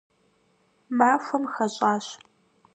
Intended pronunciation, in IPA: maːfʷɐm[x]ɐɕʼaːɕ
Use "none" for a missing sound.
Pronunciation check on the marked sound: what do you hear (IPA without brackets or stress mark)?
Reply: x